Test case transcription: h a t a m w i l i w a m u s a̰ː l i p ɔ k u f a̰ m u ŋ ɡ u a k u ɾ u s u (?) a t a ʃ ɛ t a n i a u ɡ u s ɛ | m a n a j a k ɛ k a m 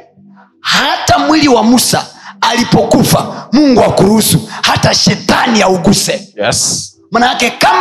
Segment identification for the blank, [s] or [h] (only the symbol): h